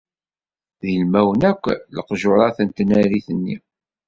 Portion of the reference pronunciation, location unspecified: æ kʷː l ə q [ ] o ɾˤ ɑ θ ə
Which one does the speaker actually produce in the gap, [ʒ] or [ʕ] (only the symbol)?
ʒ